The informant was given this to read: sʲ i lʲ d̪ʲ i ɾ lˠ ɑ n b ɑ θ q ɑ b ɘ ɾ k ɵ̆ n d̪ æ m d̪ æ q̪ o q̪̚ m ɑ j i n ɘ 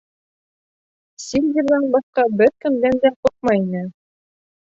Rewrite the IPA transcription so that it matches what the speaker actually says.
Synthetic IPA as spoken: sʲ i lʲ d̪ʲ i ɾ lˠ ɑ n b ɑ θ q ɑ b ɘ ɾ k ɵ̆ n d̪ æ n d̪ æ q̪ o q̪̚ m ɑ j i n ɘ